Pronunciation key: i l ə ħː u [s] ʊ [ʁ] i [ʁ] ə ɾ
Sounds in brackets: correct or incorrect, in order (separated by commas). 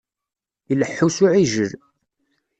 correct, incorrect, incorrect